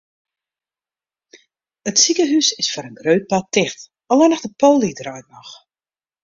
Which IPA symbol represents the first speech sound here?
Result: ə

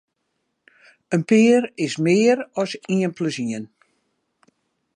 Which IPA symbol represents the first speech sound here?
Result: ə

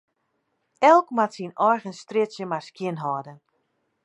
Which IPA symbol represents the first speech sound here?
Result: ɛ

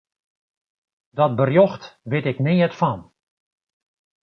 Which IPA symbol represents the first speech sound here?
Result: d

